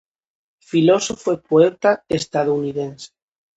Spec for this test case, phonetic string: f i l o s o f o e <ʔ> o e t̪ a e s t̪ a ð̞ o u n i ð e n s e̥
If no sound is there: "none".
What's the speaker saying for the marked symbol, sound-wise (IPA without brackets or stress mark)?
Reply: p